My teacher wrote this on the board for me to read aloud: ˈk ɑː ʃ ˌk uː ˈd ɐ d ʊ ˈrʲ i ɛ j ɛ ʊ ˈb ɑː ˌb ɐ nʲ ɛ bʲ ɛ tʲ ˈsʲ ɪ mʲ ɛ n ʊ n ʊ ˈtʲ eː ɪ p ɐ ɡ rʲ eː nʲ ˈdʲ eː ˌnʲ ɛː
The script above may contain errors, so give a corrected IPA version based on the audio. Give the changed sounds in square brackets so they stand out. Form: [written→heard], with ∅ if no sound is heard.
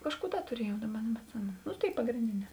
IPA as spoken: ˈk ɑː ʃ ˌk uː ˈd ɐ [d→t] ʊ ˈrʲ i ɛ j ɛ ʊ [ˈb→ˈd] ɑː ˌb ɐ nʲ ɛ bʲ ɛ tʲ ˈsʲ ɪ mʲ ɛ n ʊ n ʊ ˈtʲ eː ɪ p ɐ ɡ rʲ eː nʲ ˈdʲ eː ˌnʲ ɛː